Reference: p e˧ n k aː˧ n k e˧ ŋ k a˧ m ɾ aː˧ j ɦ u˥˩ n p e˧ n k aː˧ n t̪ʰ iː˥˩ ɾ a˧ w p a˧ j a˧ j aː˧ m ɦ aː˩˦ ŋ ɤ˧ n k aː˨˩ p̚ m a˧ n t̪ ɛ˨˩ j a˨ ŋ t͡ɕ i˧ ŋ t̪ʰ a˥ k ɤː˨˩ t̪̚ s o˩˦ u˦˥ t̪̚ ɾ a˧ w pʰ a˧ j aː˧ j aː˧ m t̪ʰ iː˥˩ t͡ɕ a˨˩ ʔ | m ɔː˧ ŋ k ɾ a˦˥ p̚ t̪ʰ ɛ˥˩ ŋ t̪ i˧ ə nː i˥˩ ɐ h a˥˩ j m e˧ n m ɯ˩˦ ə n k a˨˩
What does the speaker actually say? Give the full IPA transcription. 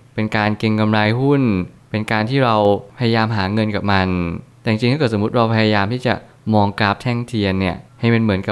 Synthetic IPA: p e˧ n k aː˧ n k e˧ ŋ k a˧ m ɾ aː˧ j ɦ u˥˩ n p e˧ n k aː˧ n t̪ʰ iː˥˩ ɾ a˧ w pʰ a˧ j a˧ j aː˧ m ɦ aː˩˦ ŋ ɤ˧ n k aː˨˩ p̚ m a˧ n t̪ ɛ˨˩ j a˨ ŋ t͡ɕ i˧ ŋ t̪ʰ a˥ k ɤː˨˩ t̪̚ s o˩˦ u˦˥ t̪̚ ɾ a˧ w pʰ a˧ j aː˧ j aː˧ m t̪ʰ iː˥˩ t͡ɕ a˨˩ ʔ | m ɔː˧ ŋ k ɾ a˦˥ p̚ t̪ʰ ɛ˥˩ ŋ t̪ʰ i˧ ə nː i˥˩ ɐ h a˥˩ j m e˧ n m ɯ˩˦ ə n k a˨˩